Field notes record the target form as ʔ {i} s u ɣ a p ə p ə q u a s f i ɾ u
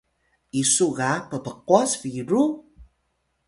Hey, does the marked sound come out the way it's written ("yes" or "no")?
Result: yes